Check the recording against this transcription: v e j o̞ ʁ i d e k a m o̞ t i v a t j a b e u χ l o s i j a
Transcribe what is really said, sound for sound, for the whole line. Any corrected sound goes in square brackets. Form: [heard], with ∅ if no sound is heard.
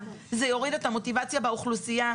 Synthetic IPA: [z] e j o̞ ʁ i d e [t] a m o̞ t i v a [t͡s] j a b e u χ l [u] s i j a